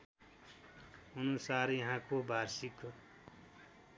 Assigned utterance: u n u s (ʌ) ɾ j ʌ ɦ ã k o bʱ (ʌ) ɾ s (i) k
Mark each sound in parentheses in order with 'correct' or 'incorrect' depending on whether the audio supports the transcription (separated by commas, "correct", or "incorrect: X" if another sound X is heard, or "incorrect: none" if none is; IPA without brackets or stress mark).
incorrect: a, incorrect: a, correct